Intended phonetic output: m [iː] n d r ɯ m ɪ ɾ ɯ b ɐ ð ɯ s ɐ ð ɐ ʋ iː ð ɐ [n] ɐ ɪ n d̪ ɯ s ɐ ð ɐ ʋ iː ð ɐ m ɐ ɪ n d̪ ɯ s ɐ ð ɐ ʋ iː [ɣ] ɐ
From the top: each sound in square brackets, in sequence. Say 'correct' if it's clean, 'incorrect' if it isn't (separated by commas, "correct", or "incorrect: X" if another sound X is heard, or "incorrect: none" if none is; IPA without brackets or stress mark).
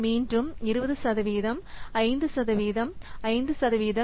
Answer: correct, incorrect: m, incorrect: ð